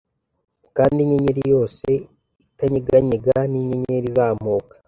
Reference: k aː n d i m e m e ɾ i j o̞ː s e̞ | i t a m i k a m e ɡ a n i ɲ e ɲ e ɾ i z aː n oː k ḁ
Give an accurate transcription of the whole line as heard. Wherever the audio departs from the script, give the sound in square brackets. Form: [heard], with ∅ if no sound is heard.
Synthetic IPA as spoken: k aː n d i [ɲ] e [ɲ] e ɾ i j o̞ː s e̞ | i t a [ɲ] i [ɡ] a [ɲ] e ɡ a n i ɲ e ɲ e ɾ i z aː [m] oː k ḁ